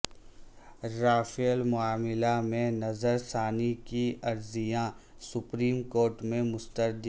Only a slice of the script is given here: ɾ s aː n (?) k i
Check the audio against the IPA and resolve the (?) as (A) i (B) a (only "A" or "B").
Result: A